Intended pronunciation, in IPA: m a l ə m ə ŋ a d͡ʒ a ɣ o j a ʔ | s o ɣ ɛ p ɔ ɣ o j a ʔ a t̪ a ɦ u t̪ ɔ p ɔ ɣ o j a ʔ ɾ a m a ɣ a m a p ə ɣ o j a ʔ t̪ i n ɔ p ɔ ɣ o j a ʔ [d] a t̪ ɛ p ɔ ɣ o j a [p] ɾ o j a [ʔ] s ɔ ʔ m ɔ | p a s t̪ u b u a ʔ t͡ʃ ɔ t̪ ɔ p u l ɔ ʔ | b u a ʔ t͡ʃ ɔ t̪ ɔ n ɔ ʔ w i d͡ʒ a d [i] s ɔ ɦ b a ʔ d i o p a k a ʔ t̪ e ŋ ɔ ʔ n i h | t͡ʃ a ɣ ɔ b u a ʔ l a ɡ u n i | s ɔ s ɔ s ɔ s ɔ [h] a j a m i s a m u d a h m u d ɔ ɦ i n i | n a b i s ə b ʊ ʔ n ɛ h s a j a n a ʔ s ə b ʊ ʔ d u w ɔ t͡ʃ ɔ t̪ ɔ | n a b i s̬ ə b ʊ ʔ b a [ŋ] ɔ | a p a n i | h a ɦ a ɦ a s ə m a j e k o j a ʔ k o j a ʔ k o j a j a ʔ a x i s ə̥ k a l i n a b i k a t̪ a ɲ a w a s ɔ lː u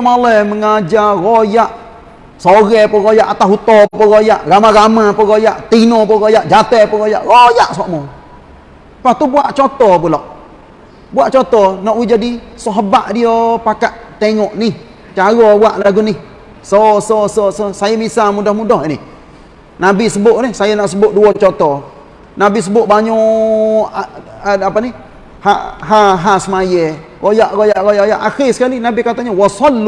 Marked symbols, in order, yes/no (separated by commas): no, no, yes, yes, no, no